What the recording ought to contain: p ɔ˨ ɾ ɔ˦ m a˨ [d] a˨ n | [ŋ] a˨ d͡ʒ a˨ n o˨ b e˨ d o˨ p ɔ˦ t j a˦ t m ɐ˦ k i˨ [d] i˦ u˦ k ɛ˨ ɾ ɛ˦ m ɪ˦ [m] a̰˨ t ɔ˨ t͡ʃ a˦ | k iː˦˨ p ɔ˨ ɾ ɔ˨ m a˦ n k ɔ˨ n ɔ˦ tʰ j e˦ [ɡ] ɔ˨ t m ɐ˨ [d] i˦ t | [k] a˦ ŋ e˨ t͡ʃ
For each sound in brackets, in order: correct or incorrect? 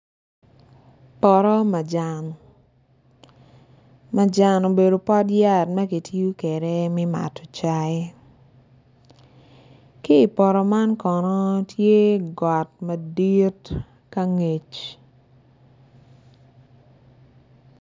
incorrect: d͡ʒ, incorrect: m, incorrect: t, correct, correct, correct, correct

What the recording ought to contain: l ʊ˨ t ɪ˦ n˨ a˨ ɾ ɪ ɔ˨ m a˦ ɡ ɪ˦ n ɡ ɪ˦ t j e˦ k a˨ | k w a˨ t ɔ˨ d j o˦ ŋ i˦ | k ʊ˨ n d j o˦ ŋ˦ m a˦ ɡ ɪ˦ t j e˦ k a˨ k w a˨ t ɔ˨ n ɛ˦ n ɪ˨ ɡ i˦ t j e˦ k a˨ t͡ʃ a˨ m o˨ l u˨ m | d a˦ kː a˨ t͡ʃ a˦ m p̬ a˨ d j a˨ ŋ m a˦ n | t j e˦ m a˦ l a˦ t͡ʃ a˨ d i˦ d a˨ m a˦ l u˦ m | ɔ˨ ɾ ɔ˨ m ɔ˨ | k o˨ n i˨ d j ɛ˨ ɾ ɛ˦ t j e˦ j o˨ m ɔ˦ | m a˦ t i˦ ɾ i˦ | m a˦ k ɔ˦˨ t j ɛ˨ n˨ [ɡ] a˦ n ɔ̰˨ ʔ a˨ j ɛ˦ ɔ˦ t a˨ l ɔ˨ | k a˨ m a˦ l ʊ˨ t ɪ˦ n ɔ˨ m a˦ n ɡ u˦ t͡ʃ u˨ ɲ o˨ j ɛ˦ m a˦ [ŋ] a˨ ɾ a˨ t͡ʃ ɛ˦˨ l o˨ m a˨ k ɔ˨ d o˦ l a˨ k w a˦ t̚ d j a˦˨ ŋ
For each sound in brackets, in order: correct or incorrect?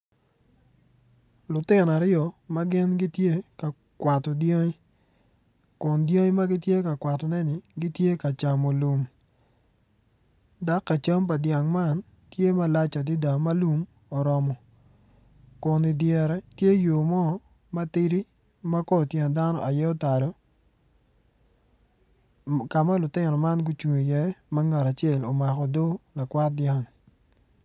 incorrect: d, correct

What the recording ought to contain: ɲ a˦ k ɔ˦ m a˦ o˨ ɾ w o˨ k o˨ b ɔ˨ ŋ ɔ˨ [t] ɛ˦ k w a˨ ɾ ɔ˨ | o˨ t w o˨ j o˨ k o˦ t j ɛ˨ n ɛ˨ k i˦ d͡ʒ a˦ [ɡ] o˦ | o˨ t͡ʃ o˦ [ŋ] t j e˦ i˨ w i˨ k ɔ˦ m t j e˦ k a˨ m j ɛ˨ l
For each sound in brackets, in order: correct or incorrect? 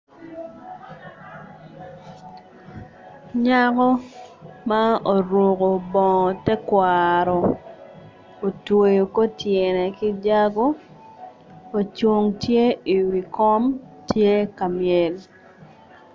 correct, correct, correct

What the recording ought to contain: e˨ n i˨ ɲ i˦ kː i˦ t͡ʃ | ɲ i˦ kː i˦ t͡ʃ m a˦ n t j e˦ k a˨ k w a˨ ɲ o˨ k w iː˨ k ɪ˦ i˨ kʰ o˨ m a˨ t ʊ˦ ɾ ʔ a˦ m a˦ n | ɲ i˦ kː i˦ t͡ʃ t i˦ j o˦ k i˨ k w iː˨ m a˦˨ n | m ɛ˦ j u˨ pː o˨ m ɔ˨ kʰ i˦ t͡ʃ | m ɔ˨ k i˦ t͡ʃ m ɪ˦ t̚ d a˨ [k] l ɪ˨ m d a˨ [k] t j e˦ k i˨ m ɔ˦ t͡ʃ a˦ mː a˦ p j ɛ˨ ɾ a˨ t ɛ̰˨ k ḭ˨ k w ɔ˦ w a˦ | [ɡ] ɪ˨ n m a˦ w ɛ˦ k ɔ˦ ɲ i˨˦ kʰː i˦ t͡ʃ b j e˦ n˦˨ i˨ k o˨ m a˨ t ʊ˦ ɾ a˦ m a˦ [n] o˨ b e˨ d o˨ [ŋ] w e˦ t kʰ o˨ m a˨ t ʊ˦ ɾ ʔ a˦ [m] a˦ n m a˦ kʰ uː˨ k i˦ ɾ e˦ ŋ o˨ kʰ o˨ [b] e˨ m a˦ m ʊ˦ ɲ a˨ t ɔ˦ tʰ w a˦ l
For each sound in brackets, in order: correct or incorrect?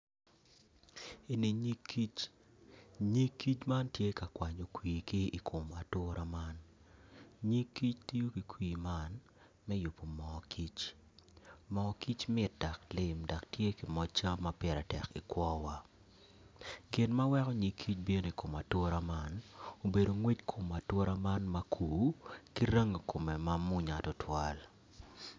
correct, correct, correct, correct, correct, correct, incorrect: m

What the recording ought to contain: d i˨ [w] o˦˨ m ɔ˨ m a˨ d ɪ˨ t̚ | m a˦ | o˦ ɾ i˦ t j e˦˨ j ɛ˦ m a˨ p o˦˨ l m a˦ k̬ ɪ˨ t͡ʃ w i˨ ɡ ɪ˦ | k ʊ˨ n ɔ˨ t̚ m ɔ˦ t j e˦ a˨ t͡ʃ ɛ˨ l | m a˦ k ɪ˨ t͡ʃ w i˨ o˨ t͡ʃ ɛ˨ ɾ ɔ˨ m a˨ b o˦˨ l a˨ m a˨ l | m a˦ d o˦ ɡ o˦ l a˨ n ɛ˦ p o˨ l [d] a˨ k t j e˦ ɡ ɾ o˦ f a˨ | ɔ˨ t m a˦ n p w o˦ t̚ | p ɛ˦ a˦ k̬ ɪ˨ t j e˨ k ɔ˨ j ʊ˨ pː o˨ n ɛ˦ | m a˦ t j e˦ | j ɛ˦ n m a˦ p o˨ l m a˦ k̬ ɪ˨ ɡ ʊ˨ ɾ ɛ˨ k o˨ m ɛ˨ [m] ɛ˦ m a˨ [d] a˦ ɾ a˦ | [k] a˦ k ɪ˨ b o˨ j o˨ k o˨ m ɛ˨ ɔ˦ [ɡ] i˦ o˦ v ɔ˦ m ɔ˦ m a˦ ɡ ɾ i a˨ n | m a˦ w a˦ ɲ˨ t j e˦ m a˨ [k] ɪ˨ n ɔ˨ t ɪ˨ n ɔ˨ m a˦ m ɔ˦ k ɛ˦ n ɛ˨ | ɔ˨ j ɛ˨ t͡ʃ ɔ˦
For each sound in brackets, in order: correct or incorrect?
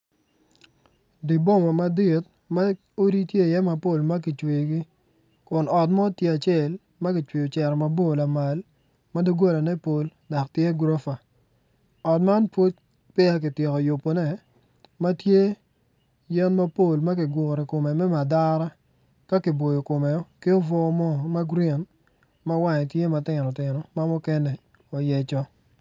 incorrect: b, correct, correct, correct, correct, incorrect: k, incorrect: t

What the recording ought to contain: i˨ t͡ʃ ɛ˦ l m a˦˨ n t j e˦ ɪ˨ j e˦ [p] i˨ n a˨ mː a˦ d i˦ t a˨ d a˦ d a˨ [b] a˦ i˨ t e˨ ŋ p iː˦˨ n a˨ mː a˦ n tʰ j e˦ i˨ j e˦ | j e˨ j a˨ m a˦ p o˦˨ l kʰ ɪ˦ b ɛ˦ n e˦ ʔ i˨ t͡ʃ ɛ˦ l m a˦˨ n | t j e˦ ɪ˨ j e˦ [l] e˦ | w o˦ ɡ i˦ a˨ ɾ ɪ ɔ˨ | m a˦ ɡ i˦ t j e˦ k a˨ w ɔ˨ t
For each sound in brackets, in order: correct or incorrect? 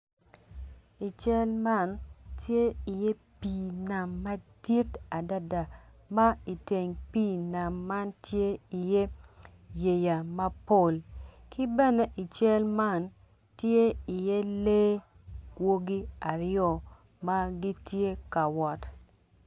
correct, incorrect: m, correct

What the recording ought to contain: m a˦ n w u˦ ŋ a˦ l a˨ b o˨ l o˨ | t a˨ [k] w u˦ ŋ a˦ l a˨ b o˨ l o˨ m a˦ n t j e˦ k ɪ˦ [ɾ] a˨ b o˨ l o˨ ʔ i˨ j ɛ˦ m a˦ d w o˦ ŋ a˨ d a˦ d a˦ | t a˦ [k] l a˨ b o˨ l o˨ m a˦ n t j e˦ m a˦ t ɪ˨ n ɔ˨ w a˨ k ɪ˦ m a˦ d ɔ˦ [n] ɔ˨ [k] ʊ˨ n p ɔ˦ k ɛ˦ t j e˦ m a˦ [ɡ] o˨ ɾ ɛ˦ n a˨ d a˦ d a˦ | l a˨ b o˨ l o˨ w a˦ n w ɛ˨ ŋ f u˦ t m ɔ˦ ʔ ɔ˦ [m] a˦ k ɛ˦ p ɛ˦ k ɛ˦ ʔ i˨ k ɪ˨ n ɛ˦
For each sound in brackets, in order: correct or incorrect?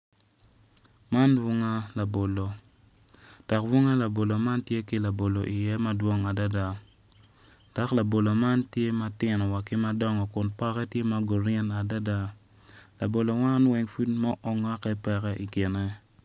correct, incorrect: l, correct, incorrect: ŋ, correct, correct, incorrect: ŋ

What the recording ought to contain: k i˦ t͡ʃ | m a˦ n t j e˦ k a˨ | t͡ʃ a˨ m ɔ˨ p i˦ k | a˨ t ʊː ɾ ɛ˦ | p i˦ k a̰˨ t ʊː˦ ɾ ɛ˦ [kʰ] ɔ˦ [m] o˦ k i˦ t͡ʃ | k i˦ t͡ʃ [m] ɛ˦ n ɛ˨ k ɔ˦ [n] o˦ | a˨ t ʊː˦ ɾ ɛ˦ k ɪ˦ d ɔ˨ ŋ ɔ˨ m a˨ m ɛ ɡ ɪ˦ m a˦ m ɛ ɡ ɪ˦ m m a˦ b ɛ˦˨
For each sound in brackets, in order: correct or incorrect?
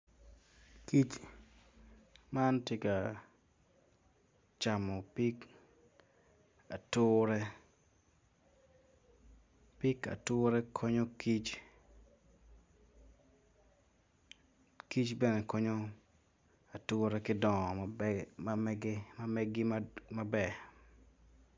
correct, incorrect: ɲ, incorrect: b, incorrect: ɲ

